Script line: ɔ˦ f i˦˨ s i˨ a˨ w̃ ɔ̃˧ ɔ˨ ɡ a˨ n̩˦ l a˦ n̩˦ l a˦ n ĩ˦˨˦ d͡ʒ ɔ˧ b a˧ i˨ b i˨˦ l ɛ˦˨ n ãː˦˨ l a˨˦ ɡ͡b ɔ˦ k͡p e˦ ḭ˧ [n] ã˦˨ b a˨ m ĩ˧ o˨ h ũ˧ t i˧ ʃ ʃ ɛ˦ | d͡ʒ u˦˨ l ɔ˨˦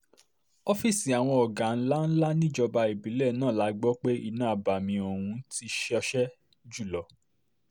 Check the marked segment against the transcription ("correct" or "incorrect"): correct